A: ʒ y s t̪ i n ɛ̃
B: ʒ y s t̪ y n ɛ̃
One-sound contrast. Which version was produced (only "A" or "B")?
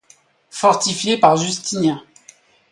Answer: A